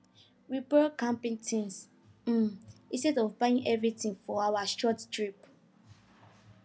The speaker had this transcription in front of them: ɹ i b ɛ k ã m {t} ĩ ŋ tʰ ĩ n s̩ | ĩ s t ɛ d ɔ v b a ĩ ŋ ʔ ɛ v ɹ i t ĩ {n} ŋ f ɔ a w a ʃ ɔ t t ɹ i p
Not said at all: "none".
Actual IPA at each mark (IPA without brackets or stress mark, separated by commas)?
p, none